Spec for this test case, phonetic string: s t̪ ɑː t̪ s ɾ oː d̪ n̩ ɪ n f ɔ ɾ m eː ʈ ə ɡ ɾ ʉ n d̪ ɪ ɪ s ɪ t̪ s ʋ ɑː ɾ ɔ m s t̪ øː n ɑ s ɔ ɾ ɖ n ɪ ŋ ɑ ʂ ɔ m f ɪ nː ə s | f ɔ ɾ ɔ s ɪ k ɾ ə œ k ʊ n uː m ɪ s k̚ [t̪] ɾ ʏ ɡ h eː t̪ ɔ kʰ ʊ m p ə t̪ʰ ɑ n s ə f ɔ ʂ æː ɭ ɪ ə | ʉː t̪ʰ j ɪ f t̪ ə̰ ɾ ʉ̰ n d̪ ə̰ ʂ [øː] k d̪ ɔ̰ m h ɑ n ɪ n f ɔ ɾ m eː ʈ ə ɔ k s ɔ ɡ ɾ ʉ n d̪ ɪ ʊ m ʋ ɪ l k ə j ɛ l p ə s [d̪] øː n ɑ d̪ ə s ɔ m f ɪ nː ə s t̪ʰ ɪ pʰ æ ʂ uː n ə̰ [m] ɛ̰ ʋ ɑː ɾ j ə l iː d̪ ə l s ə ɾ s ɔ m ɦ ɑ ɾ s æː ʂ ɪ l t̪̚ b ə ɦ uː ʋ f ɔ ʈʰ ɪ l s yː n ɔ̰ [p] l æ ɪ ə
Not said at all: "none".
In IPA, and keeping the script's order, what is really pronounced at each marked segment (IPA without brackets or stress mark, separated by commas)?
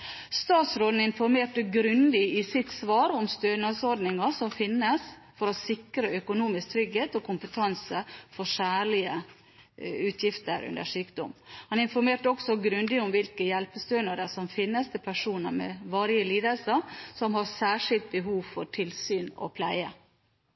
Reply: t̪ʰ, yː, t̪, m, pʰ